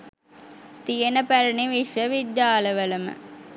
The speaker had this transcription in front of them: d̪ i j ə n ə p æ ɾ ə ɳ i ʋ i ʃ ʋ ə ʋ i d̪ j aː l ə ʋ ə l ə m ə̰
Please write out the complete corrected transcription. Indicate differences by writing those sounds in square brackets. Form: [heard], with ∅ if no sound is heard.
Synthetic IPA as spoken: [t̪] i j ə n ə p æ ɾ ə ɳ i ʋ i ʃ ʋ ə ʋ i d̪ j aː l ə ʋ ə l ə m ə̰